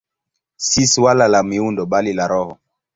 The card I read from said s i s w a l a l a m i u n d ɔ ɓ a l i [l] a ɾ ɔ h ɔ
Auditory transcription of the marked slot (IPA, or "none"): l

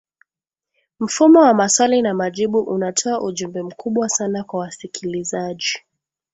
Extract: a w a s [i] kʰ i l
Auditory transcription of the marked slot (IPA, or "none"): i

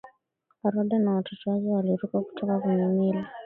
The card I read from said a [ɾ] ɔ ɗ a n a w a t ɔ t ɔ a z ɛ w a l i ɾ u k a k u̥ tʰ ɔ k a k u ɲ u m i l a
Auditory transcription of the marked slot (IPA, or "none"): ɾ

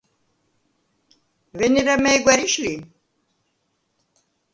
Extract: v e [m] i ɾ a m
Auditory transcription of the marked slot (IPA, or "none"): n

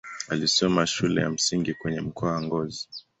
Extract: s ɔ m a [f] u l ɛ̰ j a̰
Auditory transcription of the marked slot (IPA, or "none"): ʃ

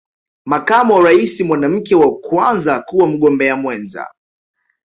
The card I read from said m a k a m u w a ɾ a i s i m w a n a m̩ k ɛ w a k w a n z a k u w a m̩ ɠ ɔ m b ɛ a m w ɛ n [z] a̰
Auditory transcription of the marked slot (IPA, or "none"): z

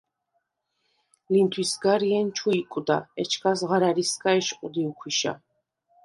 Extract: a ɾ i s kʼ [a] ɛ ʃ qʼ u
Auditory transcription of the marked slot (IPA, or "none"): a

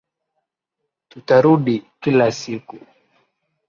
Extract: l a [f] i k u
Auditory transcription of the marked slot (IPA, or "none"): s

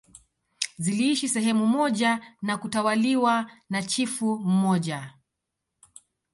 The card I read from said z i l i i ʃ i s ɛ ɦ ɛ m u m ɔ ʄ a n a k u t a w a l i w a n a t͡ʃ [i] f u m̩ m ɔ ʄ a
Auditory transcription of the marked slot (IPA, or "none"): i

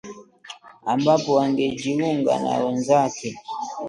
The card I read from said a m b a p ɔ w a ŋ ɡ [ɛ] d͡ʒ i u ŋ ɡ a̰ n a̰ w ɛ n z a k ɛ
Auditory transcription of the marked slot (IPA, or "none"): ɛ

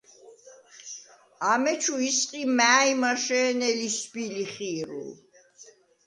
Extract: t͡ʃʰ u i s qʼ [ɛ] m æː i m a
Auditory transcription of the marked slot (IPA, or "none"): i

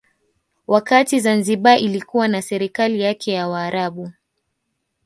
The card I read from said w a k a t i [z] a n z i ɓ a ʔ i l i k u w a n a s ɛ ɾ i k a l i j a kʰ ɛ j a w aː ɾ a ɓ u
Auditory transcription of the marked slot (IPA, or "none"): z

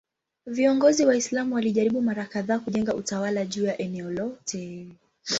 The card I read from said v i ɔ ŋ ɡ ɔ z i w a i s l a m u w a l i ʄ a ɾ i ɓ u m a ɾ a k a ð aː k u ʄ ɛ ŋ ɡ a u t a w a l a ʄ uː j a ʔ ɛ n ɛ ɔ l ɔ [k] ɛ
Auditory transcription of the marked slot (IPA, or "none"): t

